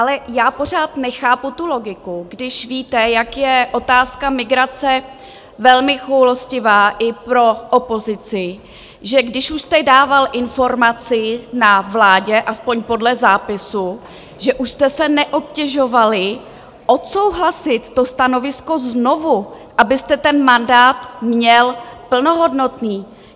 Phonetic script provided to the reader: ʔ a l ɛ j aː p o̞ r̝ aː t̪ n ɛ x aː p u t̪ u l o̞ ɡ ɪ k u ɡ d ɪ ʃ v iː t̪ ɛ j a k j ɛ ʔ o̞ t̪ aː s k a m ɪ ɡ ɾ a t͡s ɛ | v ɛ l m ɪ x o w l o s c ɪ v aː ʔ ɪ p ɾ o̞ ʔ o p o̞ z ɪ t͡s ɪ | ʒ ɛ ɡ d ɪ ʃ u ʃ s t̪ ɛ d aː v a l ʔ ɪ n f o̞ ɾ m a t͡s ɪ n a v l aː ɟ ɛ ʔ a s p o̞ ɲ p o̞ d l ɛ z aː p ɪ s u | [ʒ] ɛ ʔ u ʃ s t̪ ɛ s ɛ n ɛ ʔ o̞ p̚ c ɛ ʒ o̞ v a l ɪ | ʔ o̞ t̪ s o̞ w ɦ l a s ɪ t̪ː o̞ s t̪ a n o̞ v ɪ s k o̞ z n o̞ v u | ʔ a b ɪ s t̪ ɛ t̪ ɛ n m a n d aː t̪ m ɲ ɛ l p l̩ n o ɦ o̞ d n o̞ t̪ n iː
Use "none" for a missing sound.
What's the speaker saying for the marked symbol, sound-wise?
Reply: ʒ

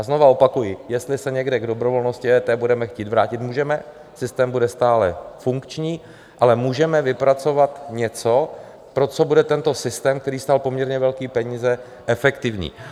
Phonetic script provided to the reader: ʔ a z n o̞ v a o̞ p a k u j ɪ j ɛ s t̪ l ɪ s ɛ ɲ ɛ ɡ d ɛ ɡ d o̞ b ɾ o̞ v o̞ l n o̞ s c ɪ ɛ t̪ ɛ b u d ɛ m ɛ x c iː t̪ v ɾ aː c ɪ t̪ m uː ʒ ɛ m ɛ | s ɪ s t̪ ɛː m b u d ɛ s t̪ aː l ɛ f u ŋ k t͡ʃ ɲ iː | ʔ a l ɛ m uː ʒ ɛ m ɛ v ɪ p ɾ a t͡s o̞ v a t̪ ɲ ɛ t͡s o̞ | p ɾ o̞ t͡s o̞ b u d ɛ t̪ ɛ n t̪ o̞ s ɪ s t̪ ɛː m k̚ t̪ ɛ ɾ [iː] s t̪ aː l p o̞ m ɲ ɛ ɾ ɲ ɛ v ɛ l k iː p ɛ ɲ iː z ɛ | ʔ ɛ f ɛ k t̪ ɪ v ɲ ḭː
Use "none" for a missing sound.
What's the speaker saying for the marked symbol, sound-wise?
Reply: iː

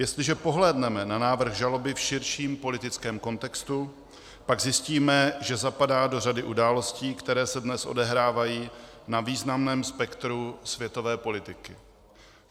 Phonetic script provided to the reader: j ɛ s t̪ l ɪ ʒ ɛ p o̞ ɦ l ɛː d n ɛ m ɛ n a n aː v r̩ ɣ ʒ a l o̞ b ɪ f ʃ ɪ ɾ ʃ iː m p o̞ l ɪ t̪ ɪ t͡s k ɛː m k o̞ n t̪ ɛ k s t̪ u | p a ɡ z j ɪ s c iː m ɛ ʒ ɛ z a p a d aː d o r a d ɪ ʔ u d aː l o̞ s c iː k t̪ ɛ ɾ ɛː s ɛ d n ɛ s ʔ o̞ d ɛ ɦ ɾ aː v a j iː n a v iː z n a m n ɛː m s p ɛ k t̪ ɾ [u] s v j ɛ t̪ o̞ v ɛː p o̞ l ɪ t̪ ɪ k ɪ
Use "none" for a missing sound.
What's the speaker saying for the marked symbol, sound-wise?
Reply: u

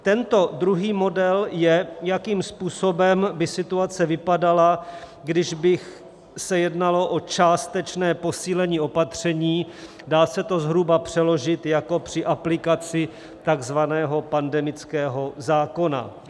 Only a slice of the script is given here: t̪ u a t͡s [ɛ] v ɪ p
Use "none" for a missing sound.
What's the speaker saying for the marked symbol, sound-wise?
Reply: ɛ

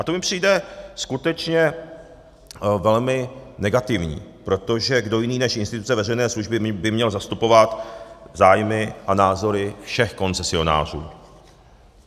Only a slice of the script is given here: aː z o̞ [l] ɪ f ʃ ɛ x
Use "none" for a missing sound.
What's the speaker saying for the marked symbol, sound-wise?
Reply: ɾ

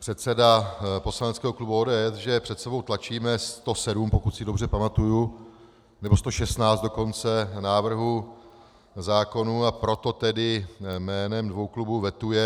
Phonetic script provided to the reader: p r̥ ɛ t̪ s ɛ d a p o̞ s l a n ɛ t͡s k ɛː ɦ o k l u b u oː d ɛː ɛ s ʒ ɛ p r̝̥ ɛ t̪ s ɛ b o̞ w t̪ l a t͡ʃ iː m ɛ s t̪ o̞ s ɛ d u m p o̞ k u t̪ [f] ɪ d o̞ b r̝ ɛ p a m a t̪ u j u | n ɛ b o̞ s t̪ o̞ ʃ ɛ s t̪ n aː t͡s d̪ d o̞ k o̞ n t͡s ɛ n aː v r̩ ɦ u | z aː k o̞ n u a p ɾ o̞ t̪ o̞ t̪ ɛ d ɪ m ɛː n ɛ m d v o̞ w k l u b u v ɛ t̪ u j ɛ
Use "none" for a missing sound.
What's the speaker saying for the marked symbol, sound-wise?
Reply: s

